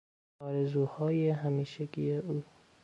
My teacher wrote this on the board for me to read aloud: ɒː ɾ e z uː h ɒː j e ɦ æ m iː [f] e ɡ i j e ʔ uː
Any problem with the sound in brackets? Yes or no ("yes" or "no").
yes